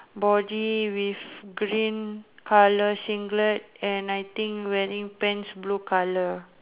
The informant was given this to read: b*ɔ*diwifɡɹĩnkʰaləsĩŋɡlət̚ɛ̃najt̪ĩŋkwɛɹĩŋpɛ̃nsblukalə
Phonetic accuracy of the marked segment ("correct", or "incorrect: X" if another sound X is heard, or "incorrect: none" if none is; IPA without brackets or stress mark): correct